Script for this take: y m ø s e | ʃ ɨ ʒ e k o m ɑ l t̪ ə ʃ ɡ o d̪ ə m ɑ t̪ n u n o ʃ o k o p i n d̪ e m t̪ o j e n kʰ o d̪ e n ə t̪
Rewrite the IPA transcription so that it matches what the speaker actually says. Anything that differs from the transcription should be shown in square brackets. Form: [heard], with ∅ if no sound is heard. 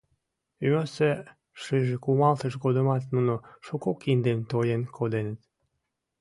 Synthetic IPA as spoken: y m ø s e | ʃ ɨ ʒ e k [u] m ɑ l t̪ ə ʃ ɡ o d̪ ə m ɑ t̪ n u n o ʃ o k o [k] i n d̪ e m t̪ o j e n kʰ o d̪ e n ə t̪